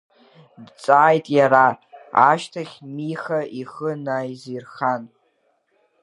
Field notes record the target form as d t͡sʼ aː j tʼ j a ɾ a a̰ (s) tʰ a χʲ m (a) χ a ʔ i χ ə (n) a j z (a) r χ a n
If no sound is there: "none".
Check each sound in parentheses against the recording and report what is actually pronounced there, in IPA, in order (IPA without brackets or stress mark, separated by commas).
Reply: ʃ, i, n, i